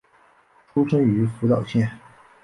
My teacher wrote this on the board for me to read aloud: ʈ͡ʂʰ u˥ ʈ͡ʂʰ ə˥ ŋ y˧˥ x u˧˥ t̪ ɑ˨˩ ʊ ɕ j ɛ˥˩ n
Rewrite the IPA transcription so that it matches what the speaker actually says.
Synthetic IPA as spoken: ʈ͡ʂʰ u˥ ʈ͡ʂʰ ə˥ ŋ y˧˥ f u˧˥ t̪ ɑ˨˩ ʊ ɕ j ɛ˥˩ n

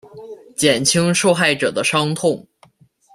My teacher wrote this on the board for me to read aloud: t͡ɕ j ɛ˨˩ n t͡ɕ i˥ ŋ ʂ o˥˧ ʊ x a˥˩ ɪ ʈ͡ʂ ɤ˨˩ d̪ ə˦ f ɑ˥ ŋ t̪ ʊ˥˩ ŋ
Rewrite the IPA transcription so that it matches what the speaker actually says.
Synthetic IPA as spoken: t͡ɕ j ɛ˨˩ n t͡ɕʰ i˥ ŋ ʂ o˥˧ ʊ x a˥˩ ɪ ʈ͡ʂ ɤ˨˩ d̪ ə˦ ʂ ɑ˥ ŋ t̪ʰ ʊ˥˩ ŋ

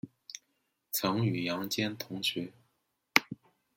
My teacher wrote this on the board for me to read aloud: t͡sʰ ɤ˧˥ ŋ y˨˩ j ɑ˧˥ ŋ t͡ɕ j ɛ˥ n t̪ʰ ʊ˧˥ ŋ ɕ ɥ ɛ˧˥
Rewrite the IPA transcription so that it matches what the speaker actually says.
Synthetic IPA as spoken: t͡sʰ ɤ˧˥ ŋ y˨˩ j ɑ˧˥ ŋ t͡ɕ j ɛ˥ n t̪ʰ ʊ˧˥ ŋ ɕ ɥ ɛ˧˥

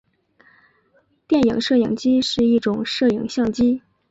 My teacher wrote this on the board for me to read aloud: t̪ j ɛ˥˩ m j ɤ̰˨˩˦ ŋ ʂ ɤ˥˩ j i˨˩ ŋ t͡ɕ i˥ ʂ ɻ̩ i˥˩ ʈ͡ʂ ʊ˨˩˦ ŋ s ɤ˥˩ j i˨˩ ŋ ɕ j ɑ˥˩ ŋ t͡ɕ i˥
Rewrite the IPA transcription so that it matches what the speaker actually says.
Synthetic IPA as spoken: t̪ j ɛ˥˩ n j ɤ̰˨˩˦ ŋ ʂ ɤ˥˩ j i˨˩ ŋ t͡ɕ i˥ ʂ ɻ̩ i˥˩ ʈ͡ʂ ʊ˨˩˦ ŋ ʂ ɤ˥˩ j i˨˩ ŋ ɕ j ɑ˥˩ ŋ t͡ɕ i˥

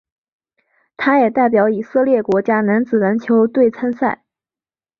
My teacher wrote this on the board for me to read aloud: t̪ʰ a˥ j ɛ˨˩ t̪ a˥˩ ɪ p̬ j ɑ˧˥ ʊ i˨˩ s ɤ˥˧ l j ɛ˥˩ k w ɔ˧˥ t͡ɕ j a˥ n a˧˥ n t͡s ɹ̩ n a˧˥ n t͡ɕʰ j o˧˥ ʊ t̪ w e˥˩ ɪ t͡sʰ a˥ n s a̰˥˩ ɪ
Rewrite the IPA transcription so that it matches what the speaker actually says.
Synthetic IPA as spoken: t̪ʰ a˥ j ɛ˨˩ t̪ a˥˩ ɪ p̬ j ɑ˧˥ ʊ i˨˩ s ɤ˥˧ l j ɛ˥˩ k w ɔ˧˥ t͡ɕ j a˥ n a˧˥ n t͡s ɹ̩ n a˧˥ n t͡ɕʰ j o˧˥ ʊ t̪ w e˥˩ ɪ t͡sʰ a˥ n s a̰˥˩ ɪ

